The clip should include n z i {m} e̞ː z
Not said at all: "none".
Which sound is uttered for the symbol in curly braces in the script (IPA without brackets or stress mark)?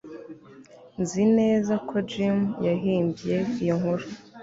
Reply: n